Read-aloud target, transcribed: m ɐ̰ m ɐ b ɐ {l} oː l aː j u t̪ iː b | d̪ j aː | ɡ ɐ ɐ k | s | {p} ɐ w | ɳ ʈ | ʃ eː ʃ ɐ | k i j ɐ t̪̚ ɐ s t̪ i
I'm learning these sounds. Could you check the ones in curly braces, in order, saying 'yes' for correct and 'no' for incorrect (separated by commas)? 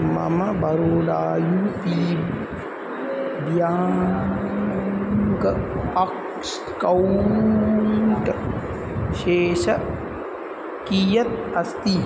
no, no